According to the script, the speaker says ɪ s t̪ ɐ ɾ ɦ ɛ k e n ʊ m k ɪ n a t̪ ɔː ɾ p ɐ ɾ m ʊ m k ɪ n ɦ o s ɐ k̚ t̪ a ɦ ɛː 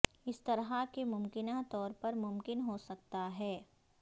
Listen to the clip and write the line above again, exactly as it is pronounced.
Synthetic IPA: ɪ s t̪ ɐ ɾ ɦ a k e m ʊ m k ɪ n a t̪ ɔː ɾ p ɐ ɾ m ʊ m k ɪ n ɦ o s ɐ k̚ t̪ a ɦ ɛː